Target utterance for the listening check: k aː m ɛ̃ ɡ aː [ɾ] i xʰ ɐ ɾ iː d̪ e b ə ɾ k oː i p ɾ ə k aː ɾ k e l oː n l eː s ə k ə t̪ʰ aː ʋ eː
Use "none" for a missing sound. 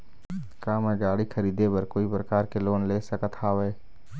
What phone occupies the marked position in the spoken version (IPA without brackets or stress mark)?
ɽ